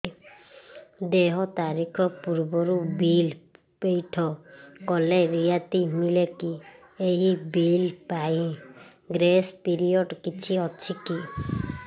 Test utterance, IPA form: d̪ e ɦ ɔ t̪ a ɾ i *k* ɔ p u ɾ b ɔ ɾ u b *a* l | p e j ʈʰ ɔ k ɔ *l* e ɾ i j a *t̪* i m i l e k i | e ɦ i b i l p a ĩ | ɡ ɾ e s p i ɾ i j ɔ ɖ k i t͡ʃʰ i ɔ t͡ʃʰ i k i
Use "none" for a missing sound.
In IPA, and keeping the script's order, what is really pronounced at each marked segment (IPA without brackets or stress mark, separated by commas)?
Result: kʰ, i, l, t̪